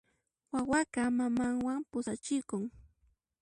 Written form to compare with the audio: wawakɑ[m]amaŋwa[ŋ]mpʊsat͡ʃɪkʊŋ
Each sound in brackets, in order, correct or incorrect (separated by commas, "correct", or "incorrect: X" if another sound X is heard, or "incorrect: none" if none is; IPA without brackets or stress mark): correct, incorrect: none